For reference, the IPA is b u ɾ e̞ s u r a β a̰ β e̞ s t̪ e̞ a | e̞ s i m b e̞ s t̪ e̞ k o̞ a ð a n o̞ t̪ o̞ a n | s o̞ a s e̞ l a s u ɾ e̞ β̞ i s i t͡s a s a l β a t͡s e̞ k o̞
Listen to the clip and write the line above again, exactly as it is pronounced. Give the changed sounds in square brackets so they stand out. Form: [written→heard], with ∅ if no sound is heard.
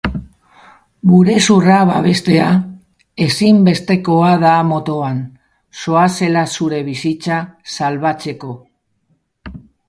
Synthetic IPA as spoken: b u ɾ e̞ s u r a β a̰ β e̞ s t̪ e̞ a | e̞ s i m b e̞ s t̪ e̞ k o̞ a ð a [n→m] o̞ t̪ o̞ a n | s o̞ a s e̞ l a s u ɾ e̞ β̞ i s i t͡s a s a l β a t͡s e̞ k o̞